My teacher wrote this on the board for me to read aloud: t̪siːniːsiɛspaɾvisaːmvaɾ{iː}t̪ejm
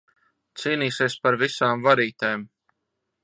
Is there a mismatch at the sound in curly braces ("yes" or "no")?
no